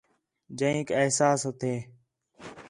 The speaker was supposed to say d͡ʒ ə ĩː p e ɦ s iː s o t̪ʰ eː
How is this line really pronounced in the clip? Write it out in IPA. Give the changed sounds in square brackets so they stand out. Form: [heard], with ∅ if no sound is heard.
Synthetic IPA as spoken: d͡ʒ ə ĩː [k] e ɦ s [aː] s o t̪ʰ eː